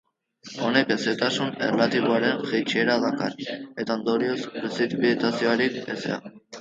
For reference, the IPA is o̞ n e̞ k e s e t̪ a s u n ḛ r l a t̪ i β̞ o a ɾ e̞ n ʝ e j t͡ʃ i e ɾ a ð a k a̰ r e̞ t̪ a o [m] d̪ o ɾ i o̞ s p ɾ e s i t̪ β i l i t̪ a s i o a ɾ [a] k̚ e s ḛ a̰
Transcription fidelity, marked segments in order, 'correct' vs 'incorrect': incorrect, incorrect

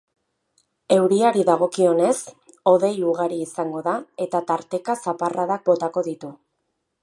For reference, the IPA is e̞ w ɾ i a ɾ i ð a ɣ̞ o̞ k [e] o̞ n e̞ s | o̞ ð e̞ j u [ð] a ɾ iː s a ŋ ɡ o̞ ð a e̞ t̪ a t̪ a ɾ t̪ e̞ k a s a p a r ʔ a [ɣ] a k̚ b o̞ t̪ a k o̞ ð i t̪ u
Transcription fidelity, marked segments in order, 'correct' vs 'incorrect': incorrect, incorrect, incorrect

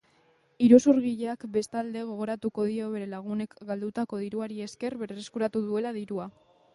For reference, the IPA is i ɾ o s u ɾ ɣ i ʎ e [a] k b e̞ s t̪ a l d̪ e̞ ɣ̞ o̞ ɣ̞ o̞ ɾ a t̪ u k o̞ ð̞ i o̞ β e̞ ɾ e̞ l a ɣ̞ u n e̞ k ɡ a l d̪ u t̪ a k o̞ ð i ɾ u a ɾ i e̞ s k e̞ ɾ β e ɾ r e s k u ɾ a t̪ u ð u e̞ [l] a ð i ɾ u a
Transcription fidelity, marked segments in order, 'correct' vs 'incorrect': correct, correct

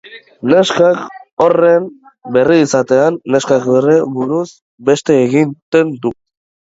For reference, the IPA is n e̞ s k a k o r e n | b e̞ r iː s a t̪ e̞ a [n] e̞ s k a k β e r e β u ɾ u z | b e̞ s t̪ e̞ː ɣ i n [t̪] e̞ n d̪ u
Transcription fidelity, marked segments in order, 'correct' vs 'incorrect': incorrect, correct

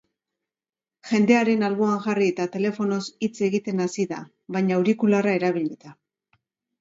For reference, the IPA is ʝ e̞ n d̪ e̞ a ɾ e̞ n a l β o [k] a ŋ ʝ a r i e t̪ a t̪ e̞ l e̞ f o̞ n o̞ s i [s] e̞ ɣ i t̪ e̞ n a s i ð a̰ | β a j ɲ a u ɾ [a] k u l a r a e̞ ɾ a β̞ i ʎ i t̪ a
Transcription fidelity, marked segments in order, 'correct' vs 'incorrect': incorrect, incorrect, incorrect

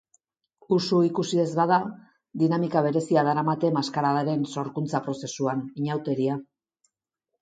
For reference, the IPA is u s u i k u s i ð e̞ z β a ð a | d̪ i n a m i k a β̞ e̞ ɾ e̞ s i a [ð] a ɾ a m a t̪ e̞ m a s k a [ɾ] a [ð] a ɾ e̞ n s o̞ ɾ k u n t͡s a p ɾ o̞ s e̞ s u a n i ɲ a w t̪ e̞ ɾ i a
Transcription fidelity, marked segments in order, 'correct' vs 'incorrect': correct, correct, correct

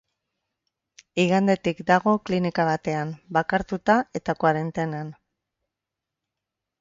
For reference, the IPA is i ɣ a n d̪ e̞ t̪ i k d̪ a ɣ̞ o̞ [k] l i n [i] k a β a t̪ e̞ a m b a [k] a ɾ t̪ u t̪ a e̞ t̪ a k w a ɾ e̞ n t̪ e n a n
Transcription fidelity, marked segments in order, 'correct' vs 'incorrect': correct, correct, correct

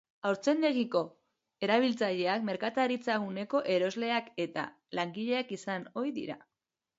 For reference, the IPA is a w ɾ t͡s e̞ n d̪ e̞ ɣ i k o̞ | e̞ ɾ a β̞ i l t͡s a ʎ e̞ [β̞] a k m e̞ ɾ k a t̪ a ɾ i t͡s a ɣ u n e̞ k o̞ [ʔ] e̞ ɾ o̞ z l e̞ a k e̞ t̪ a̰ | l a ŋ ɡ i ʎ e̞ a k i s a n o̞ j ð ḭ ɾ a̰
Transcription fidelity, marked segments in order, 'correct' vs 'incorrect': incorrect, correct

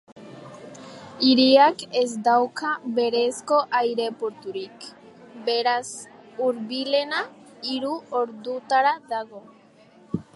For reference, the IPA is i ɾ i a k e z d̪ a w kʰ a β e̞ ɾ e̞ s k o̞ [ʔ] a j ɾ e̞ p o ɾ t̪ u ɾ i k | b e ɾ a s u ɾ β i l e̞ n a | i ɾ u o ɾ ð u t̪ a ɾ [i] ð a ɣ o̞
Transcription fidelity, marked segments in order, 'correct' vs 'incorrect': correct, incorrect

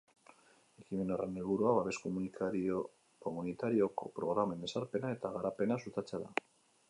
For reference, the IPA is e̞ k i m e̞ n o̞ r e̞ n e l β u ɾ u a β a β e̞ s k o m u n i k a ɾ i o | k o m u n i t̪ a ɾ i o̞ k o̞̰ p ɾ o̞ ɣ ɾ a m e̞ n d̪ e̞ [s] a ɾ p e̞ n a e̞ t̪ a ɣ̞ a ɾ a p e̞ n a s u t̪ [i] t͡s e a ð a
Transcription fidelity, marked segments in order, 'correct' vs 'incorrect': correct, incorrect

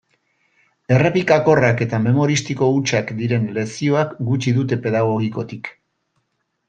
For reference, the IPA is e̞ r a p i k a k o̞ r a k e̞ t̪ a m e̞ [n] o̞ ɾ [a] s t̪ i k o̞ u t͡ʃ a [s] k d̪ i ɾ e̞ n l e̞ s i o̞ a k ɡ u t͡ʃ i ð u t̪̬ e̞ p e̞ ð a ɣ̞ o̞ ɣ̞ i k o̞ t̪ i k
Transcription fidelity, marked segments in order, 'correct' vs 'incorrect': incorrect, incorrect, incorrect

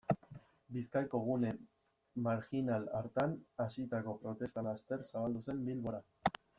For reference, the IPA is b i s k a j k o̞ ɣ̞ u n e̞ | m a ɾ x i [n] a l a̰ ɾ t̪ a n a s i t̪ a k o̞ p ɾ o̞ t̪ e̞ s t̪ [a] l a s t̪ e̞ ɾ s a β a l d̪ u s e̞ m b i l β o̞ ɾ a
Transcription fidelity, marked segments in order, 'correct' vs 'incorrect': correct, correct

